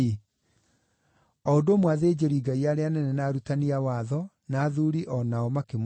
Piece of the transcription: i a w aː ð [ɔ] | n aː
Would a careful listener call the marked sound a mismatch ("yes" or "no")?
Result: no